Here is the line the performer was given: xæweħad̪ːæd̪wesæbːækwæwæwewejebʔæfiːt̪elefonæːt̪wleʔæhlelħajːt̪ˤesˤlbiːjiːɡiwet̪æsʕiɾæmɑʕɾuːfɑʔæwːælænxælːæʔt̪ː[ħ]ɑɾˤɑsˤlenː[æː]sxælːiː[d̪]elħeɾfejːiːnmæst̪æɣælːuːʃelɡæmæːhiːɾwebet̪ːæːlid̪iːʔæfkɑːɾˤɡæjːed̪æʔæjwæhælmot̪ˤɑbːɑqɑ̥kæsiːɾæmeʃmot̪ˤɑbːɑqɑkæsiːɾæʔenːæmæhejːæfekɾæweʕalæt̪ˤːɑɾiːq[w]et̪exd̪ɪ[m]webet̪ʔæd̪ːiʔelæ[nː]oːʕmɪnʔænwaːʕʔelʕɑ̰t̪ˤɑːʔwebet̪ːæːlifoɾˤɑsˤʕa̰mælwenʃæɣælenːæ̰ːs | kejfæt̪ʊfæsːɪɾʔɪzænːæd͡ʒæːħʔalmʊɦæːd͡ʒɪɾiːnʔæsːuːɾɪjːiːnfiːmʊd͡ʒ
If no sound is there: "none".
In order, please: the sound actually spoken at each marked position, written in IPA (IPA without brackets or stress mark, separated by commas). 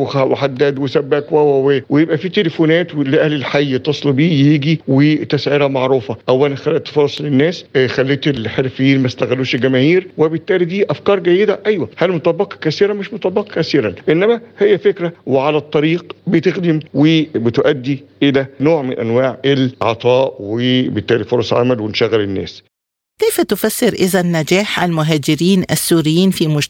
f, æː, t̪, b, m, n